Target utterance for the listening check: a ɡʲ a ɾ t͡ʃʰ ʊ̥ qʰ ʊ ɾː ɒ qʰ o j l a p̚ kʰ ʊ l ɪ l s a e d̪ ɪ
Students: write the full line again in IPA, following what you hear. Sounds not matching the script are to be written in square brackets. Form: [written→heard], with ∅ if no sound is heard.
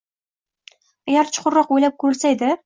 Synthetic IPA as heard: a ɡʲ a ɾ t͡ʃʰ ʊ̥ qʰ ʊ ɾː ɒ [qʰ→q] o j l a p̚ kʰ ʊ [l→ɾ] ɪ l s a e d̪ ɪ